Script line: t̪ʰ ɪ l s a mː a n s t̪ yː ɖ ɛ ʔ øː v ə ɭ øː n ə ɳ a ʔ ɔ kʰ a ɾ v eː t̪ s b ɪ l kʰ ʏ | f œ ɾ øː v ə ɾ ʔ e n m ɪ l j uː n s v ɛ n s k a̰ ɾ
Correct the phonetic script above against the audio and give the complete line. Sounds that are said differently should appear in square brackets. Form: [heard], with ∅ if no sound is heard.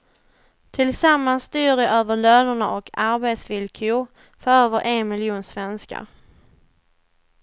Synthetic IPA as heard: t̪ʰ ɪ l s a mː a n s t̪ yː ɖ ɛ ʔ øː v ə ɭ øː n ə ɳ a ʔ ɔ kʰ a ɾ [b] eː t̪ s [v] ɪ l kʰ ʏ | f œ ɾ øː v ə ɾ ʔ e n m ɪ l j uː n s v ɛ n s k a̰ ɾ